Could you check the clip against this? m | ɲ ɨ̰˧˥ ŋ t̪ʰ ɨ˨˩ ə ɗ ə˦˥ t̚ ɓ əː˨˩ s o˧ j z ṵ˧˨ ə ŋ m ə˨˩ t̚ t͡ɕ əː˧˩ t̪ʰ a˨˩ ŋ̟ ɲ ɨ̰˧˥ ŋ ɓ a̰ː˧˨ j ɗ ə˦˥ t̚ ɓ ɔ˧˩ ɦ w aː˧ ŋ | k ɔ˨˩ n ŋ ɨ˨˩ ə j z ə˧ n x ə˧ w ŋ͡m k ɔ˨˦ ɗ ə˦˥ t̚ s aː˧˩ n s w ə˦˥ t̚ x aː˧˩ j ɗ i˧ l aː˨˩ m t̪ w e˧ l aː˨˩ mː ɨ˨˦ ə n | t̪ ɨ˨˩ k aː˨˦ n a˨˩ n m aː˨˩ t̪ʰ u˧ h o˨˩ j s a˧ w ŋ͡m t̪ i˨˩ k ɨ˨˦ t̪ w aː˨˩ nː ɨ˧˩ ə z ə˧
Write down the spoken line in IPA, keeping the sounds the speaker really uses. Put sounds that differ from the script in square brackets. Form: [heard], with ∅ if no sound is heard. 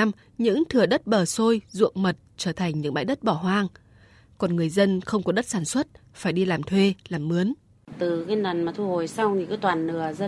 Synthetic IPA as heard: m | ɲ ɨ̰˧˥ ŋ t̪ʰ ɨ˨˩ ə ɗ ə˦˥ t̚ ɓ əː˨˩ s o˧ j z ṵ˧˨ ə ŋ m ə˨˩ t̚ t͡ɕ əː˧˩ t̪ʰ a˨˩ ŋ̟ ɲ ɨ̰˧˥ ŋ ɓ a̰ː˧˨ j ɗ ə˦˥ t̚ ɓ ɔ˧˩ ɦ w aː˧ ŋ | k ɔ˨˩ n ŋ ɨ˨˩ ə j z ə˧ n x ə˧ w ŋ͡m k ɔ˨˦ ɗ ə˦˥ t̚ s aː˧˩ n s w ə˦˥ t̚ [f] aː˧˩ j ɗ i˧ l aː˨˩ m [t̪ʰ] w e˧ l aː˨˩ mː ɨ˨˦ ə n | t̪ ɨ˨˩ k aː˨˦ n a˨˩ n m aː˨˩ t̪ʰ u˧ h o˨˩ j s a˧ w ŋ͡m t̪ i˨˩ k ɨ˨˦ t̪ w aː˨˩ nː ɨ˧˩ ə z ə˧